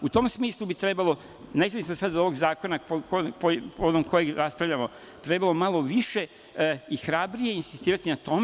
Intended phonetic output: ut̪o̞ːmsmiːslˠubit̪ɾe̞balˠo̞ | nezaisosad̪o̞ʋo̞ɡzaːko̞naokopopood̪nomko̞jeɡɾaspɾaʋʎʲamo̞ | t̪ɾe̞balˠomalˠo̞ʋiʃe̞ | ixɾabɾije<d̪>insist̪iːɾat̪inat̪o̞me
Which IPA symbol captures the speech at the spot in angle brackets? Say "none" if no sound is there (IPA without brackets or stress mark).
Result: none